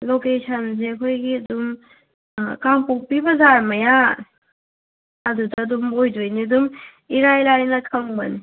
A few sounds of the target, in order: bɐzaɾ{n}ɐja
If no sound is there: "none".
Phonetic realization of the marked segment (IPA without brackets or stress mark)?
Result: m